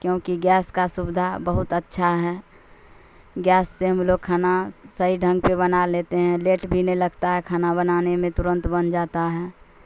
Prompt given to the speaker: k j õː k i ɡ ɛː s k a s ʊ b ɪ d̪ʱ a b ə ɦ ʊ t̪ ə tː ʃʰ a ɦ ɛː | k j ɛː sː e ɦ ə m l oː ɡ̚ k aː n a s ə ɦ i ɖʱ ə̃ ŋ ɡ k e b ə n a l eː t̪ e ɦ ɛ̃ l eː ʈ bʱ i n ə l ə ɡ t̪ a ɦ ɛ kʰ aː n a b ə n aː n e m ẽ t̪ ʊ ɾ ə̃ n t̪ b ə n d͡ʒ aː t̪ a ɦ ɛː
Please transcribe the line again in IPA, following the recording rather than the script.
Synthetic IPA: k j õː k i ɡ ɛː s k a s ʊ b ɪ d̪ʱ a b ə ɦ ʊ t̪ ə tː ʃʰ a ɦ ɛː | ɡ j ɛː sː e ɦ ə m l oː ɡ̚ kʰ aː n a s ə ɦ i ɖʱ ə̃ ŋ ɡ p e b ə n a l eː t̪ e ɦ ɛ̃ l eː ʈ bʱ i n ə l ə ɡ t̪ a ɦ ɛ kʰ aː n a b ə n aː n e m ẽ t̪ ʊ ɾ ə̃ n t̪ b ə n d͡ʒ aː t̪ a ɦ ɛː

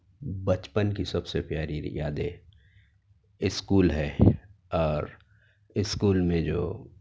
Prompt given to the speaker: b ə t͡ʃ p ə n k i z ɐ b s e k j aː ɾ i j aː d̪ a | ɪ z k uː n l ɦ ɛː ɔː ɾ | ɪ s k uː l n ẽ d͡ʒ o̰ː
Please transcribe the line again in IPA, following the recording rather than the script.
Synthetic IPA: b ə t͡ʃ p ə n k i s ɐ b s e p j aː ɾ i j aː d̪ e | ɪ s k uː l ɦ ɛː ɔː ɾ | ɪ s k uː l m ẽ d͡ʒ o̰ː

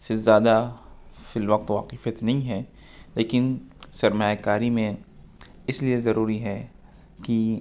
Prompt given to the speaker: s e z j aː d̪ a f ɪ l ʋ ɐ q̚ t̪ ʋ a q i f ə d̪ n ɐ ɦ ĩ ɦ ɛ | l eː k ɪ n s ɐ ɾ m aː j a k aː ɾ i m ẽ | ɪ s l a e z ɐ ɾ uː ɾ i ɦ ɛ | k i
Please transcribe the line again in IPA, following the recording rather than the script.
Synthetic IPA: s e z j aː d̪ a f ɪ l ʋ ɐ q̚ t̪ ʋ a q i f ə t̪ n ɐ ɦ ĩ ɦ ɛ | l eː k ɪ n s ɐ ɾ m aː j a k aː ɾ i m ẽ | ɪ s l i e z ɐ ɾ uː ɾ i ɦ ɛ | k i

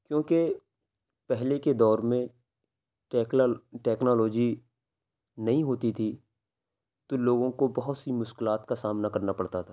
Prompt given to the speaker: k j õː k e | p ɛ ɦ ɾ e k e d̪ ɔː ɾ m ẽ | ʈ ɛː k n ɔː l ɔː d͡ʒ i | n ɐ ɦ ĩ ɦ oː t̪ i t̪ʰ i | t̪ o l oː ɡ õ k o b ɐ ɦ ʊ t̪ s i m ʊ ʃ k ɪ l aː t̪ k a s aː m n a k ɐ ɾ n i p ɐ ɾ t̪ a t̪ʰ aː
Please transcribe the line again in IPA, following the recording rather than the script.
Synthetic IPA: k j õː k e | p ɛ ɦ l e k e d̪ ɔː ɾ m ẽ | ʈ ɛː k n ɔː l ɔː d͡ʒ i | n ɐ ɦ ĩ ɦ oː t̪ i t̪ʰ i | t̪ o l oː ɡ õ k o b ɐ ɦ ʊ t̪ s i m ʊ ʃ k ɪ l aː t̪ k a s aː m n a k ɐ ɾ n a p ɐ ɽ t̪ a t̪ʰ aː

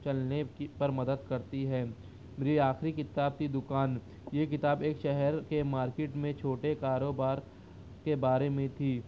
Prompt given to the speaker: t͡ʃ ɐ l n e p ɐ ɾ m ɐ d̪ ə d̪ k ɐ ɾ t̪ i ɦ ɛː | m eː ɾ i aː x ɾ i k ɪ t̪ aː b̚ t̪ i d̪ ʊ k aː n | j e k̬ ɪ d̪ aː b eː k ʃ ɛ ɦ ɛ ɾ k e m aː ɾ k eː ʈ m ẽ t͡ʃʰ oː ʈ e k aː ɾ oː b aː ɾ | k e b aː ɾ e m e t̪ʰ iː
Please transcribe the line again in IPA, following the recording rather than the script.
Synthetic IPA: t͡ʃ ɐ l n e p ɐ ɾ m ɐ d̪ ə d̪ k ɐ ɾ t̪ i ɦ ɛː | m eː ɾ i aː x ɾ i k ɪ t̪ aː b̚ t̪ i d̪ ʊ k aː n | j e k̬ ɪ t̪ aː b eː k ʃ ɛ ɦ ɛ ɾ k e m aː ɾ k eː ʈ m ẽ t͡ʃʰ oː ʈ e k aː ɾ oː b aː ɾ | k e b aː ɾ e m ẽ t̪ʰ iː

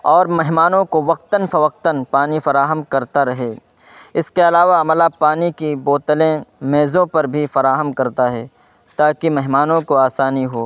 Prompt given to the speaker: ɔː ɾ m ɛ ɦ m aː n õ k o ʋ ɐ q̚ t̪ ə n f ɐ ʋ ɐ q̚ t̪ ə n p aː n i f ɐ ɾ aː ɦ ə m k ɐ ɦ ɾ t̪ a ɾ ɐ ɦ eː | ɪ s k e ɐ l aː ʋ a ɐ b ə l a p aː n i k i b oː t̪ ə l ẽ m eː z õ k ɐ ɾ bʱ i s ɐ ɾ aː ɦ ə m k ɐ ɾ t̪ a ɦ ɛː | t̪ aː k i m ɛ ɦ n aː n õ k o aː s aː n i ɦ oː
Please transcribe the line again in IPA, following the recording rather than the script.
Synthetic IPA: ɔː ɾ m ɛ ɦ m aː n õ k o ʋ ɐ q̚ t̪ ə n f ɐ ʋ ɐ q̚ t̪ ə n p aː n i f ɐ ɾ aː ɦ ə m k ɐ ɾ t̪ a ɾ ɐ ɦ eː | ɪ s k e ɐ l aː ʋ a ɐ m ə l a p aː n i k i b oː t̪ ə l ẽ m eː z õ p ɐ ɾ bʱ i f ɐ ɾ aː ɦ ə m k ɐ ɾ t̪ a ɦ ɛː | t̪ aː k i m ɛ ɦ m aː n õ k o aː s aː n i ɦ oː

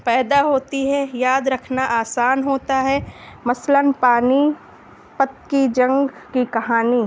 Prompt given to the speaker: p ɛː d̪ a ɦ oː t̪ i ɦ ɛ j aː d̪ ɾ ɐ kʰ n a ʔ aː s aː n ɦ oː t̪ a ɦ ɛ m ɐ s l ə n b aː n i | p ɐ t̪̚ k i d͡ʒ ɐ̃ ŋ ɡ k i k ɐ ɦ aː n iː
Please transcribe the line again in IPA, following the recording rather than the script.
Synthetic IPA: p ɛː d̪ a ɦ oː t̪ i ɦ ɛ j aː d̪ ɾ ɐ kʰ n a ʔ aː s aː n ɦ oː t̪ a ɦ ɛ m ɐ s l ə n p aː n i | p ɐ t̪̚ k i d͡ʒ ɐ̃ ŋ ɡ k i k ɐ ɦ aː n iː

